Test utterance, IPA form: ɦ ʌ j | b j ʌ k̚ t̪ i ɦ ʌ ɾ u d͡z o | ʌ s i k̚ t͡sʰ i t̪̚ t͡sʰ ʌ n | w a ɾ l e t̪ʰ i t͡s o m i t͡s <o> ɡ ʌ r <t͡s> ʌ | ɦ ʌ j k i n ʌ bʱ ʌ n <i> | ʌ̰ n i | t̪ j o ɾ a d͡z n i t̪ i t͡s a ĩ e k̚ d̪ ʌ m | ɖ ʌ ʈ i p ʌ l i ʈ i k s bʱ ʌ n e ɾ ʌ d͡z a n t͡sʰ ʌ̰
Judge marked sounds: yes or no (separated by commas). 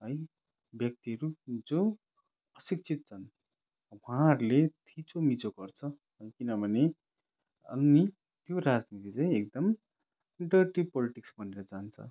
yes, no, no